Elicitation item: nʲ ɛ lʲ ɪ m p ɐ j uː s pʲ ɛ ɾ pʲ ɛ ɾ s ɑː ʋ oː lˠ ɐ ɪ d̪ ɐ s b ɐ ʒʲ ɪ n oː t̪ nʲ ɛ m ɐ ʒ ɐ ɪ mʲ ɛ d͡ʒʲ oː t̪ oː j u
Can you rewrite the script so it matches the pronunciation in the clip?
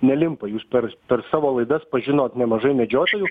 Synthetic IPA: nʲ ɛ lʲ ɪ m p ɐ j uː s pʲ ɛ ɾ pʲ ɛ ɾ s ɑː ʋ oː lˠ ɐ ɪ d̪ ɐ s p ɐ ʒʲ ɪ n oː t̪ nʲ ɛ m ɐ ʒ ɐ ɪ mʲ ɛ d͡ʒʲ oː t̪ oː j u

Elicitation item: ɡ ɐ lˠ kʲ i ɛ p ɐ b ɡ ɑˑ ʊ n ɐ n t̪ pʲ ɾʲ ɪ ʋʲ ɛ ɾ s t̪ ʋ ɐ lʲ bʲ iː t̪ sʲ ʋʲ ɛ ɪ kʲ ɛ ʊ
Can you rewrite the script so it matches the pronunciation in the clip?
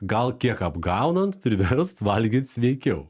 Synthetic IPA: ɡ ɐ lˠ kʲ i ɛ k ɐ b ɡ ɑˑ ʊ n ɐ n t̪ pʲ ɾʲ ɪ ʋʲ ɛ ɾ s t̪ ʋ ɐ lʲ ɡʲ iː t̪ sʲ ʋʲ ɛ ɪ kʲ ɛ ʊ

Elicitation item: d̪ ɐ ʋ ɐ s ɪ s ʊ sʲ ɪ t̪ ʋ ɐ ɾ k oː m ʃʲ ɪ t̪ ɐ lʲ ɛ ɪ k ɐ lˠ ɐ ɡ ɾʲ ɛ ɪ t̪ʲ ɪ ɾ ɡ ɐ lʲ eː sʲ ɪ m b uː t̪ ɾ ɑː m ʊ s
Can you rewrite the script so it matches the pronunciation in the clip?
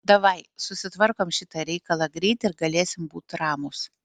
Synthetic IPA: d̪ ɐ ʋ ɐ ɪ s ʊ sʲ ɪ t̪ ʋ ɐ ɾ k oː m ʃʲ ɪ t̪ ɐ ɾʲ ɛ ɪ k ɐ lˠ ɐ ɡ ɾʲ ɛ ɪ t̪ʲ ɪ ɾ ɡ ɐ lʲ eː sʲ ɪ m b uː t̪ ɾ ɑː m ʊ s

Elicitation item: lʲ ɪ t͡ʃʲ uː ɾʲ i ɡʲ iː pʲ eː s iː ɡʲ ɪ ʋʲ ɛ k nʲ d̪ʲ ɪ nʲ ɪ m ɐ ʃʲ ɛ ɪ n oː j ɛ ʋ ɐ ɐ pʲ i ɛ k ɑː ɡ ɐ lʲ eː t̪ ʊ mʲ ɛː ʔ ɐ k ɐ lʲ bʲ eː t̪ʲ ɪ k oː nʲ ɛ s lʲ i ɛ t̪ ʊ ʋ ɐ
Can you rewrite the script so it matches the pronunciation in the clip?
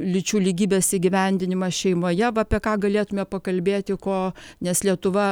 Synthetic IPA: lʲ ɪ t͡ʃʲ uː lʲ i ɡʲ iː bʲ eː s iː ɡʲ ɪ ʋʲ ɛ nʲ d̪ʲ ɪ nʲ ɪ m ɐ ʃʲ ɛ ɪ m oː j ɛ ʋ ɐ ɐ pʲ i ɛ k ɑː ɡ ɐ lʲ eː t̪ ʊ mʲ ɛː p ɐ k ɐ lʲ bʲ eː t̪ʲ ɪ k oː nʲ ɛ s lʲ i ɛ t̪ ʊ ʋ ɐ

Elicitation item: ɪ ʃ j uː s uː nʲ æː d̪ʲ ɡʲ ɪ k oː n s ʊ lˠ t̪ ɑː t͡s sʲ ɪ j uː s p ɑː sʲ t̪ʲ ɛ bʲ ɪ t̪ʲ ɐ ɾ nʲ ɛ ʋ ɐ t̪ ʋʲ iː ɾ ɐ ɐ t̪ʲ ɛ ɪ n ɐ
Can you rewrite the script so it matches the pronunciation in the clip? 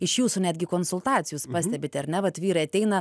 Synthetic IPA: ɪ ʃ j uː s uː nʲ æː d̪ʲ ɡʲ ɪ k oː n s ʊ lˠ t̪ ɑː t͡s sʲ ɪ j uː s p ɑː sʲ t̪ʲ ɛ bʲ ɪ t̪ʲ ɐ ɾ nʲ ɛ ʋ ɐ t̪ ʋʲ iː ɾ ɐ ɐ t̪ʲ ɛ ɪ n ɐ

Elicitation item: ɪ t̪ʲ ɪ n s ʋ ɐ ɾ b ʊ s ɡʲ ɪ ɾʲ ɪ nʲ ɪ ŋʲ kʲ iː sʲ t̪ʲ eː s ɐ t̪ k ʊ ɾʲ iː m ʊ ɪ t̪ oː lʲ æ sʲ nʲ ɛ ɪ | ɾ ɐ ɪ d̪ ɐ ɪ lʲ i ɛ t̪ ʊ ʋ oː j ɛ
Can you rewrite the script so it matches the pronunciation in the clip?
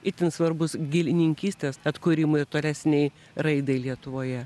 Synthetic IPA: ɪ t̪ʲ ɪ n s ʋ ɐ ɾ b ʊ s ɡʲ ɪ lʲ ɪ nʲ ɪ ŋʲ kʲ iː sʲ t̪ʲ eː s ɐ t̪ k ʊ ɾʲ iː m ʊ ɪ t̪ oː lʲ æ sʲ nʲ ɛ ɪ | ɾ ɐ ɪ d̪ ɐ ɪ lʲ i ɛ t̪ ʊ ʋ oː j ɛ

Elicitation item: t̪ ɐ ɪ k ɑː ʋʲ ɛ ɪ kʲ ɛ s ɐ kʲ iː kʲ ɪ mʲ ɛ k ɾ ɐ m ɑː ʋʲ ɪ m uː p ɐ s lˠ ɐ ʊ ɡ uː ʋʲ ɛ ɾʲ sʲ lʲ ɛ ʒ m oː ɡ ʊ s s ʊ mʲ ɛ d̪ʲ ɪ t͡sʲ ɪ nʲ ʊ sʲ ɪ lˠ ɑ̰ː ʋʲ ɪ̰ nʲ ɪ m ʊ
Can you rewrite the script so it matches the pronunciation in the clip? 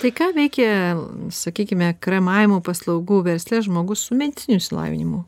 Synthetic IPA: t̪ ɐ ɪ k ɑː ʋʲ ɛ ɪ kʲ ɛ s ɐ kʲ iː kʲ ɪ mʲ ɛ k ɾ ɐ m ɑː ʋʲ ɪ m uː p ɐ s lˠ ɐ ʊ ɡ uː ʋʲ ɛ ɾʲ sʲ lʲ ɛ ʒ m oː ɡ ʊ s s ʊ mʲ ɛ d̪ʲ ɪ t͡sʲ ɪ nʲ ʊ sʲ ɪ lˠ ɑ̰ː ʋʲ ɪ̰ nʲ ɪ m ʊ

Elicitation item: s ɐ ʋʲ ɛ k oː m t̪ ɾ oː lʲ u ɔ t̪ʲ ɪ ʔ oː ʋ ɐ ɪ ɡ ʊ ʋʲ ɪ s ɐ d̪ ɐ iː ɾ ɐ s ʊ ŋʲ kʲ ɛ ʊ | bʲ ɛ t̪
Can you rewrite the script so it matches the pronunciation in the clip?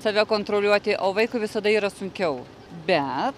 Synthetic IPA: s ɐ ʋʲ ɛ k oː n t̪ ɾ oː lʲ u ɔ t̪ʲ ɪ ʔ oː ʋ ɐ ɪ k ʊ ʋʲ ɪ s ɐ d̪ ɐ iː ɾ ɐ s ʊ ŋʲ kʲ ɛ ʊ | bʲ ɛ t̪

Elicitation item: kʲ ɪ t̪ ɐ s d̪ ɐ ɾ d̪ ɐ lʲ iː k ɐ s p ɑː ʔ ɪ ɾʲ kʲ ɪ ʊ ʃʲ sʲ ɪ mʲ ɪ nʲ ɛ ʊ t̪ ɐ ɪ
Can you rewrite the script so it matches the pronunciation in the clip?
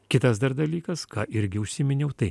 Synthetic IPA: kʲ ɪ t̪ ɐ s d̪ ɐ ɾ d̪ ɐ lʲ iː k ɐ s k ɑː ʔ ɪ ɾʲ ɡʲ ɪ ʊ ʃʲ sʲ ɪ mʲ ɪ nʲ ɛ ʊ t̪ ɐ ɪ

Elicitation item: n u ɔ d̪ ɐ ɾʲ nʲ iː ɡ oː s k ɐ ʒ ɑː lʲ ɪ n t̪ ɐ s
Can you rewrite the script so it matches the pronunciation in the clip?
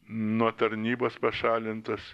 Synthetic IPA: n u ɔ t̪ ɐ ɾʲ nʲ iː b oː s p ɐ ʃ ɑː lʲ ɪ n t̪ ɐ s

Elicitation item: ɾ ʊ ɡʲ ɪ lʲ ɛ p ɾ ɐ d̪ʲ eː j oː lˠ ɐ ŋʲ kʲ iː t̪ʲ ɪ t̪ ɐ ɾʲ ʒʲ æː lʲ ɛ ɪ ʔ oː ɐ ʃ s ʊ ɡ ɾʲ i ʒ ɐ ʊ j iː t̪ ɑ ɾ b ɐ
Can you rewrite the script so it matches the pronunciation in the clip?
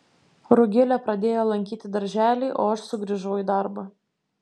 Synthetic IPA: ɾ ʊ ɡʲ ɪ lʲ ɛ p ɾ ɐ d̪ʲ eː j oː lˠ ɐ ŋʲ kʲ iː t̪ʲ ɪ d̪ ɐ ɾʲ ʒʲ æː lʲ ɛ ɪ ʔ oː ɐ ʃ s ʊ ɡ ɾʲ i ʒ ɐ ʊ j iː d̪ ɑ ɾ b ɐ

